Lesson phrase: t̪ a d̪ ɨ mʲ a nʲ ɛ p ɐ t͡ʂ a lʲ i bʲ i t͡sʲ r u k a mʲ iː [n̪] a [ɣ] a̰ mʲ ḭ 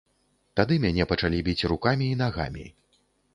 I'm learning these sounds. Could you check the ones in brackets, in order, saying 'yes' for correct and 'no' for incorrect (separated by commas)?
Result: yes, yes